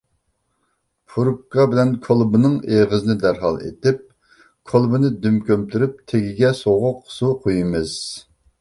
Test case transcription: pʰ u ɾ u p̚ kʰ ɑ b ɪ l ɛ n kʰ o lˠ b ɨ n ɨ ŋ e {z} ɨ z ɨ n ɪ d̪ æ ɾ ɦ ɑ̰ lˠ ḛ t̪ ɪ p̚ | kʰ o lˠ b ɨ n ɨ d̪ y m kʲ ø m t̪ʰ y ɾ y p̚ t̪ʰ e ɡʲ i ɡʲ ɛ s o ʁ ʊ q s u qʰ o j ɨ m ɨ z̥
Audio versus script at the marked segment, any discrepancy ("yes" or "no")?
yes